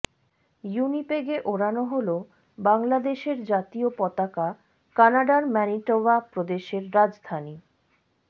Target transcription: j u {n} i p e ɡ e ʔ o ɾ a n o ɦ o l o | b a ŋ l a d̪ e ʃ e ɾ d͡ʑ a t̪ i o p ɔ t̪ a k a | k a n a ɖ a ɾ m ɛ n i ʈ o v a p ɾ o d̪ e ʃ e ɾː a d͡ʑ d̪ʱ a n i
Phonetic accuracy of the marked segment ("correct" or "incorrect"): correct